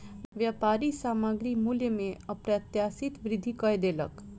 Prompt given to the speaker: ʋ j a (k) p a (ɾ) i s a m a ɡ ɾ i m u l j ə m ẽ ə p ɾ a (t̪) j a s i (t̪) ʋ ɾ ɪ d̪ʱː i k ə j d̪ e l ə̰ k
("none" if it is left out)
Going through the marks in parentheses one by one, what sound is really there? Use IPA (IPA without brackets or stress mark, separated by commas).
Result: none, ɾ, t̪, t̪